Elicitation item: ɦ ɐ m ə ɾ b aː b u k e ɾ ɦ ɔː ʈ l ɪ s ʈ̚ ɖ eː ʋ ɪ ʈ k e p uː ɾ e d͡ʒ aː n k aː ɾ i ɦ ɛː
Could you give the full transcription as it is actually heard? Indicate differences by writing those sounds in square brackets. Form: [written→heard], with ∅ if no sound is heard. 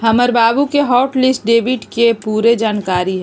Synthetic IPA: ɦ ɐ m ə ɾ b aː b u k e [ɾ→∅] ɦ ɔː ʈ l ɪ s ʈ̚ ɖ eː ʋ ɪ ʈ k e p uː ɾ e d͡ʒ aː n k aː ɾ i ɦ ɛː